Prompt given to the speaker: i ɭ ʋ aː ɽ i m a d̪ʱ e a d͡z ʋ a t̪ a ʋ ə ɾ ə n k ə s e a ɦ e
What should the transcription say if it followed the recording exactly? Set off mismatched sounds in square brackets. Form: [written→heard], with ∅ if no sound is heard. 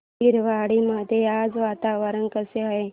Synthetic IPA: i [ɭ→ɾ] ʋ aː ɽ i m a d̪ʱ e a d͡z ʋ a t̪ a ʋ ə ɾ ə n k ə s e a ɦ e